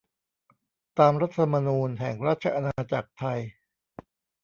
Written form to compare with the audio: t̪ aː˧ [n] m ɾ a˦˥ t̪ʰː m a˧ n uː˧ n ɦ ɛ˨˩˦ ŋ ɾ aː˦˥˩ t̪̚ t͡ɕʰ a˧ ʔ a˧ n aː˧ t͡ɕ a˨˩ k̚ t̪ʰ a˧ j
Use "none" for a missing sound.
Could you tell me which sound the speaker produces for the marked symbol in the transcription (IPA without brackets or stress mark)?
none